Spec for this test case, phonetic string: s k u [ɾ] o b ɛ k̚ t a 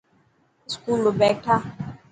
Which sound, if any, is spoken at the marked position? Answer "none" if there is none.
l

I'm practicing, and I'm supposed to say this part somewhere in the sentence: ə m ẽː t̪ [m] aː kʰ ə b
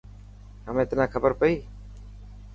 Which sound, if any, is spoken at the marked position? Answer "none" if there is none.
n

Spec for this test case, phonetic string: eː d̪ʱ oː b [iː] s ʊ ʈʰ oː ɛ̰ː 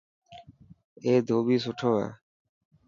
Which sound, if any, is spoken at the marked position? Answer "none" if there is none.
iː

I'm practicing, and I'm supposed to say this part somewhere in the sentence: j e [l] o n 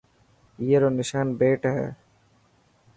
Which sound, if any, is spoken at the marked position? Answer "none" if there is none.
ɾ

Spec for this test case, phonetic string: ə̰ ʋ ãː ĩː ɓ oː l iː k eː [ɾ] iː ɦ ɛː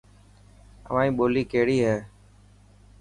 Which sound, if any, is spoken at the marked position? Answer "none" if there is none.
ɽ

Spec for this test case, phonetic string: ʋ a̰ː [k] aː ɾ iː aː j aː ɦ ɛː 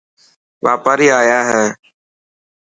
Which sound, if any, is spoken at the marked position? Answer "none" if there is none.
p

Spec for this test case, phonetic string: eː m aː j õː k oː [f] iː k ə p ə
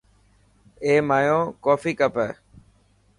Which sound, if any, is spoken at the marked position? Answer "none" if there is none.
f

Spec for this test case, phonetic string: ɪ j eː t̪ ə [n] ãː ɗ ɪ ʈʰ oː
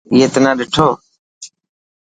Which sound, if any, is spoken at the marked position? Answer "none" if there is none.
n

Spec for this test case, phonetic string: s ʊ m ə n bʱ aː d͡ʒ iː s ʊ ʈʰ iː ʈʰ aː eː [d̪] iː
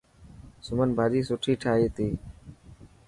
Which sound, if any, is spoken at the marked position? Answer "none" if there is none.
t̪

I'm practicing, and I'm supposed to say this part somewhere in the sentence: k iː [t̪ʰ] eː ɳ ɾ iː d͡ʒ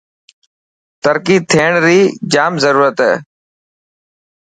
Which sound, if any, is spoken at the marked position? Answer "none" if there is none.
t̪ʰ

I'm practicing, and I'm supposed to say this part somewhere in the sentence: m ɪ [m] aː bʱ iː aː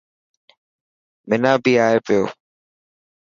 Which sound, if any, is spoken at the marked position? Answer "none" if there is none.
n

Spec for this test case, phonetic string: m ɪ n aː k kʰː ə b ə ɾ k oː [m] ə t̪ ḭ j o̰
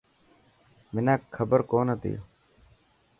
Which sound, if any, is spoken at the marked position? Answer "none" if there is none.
n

